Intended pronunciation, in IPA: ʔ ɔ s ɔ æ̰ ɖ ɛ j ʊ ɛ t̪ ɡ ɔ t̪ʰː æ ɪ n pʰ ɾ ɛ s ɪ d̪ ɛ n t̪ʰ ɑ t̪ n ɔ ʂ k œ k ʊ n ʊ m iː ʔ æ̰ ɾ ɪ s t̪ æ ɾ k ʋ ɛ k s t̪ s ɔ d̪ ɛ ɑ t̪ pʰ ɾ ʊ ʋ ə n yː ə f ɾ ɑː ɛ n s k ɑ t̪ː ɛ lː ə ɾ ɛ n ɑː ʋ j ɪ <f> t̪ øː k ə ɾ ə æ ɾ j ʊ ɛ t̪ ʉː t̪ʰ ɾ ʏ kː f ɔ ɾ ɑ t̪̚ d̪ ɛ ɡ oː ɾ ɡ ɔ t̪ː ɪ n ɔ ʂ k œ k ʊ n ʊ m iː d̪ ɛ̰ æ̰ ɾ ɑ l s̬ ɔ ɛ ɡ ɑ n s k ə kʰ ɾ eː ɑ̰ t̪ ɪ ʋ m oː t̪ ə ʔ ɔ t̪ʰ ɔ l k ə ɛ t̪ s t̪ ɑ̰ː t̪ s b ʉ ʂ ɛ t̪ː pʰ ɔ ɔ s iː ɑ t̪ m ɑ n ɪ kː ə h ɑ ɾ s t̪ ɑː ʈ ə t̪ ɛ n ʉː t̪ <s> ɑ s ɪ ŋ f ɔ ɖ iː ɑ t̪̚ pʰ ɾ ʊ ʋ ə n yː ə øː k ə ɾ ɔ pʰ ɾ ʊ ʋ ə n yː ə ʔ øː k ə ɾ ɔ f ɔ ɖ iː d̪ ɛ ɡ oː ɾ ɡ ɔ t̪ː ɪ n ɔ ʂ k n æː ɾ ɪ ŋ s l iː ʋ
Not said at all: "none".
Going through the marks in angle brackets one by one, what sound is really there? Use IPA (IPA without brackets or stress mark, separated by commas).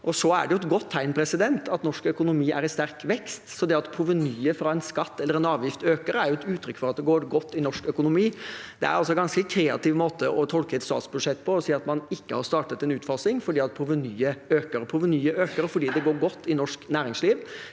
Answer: f, f